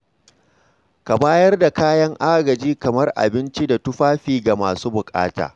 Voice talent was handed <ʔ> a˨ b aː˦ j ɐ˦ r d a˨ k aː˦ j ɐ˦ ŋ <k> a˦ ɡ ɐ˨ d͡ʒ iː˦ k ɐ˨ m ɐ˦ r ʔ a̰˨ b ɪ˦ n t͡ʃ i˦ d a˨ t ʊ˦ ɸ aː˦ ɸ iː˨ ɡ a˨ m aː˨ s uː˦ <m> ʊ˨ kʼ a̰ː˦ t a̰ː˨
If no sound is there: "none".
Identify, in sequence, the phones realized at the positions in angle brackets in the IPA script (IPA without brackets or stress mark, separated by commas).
k, ʔ, b